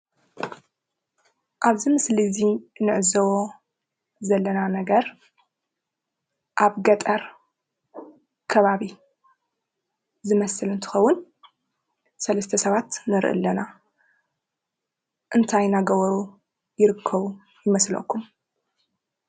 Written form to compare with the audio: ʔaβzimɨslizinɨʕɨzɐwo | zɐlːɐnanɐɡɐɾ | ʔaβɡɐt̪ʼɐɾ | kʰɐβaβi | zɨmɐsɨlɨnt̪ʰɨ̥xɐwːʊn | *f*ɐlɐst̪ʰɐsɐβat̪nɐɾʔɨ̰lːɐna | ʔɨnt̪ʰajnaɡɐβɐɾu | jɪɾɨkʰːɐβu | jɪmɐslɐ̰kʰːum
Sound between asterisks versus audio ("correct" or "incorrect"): incorrect